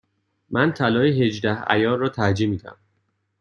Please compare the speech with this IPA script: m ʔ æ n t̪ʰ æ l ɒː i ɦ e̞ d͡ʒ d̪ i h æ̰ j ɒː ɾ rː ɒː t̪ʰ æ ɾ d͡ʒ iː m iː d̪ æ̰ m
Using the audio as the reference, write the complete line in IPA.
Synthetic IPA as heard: m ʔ æ n t̪ʰ æ l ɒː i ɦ e̞ d͡ʒ d̪ æ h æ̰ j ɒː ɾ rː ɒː t̪ʰ æ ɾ d͡ʒ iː m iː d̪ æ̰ m